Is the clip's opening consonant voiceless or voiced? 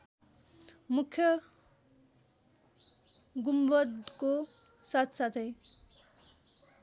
voiced